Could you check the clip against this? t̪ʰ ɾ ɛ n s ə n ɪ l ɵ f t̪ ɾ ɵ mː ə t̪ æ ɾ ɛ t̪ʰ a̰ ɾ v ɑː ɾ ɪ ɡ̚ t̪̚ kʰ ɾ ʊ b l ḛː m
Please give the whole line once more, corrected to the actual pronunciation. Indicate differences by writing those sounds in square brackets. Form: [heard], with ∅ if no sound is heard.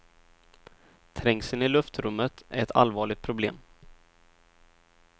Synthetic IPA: t̪ʰ ɾ ɛ [ŋ] s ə n ɪ l ɵ f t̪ ɾ ɵ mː ə t̪ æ ɾ ɛ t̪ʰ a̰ [l] v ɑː [ɭ] ɪ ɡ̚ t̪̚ [pʰ] ɾ ʊ b l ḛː m